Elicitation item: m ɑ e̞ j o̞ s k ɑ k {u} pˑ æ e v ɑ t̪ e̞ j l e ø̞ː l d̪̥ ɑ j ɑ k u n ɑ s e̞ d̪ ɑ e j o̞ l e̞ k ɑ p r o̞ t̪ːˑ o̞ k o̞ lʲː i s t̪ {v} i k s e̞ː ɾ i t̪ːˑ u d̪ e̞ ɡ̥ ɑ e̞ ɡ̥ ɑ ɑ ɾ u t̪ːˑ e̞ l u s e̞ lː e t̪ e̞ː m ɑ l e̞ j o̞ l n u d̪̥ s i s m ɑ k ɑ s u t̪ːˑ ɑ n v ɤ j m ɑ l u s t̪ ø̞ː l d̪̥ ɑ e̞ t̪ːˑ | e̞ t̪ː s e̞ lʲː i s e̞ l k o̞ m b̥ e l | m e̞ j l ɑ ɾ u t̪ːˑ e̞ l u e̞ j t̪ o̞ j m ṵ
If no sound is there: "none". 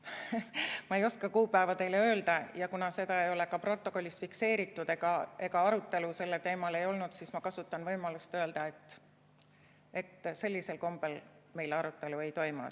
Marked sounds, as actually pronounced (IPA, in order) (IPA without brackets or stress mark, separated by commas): uː, f